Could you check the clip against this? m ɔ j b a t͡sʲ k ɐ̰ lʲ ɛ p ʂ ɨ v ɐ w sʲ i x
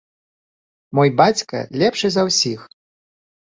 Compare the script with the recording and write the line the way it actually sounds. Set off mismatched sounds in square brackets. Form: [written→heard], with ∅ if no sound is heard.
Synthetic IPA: m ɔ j b a t͡sʲ k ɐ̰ lʲ ɛ p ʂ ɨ [v→z] ɐ w sʲ i x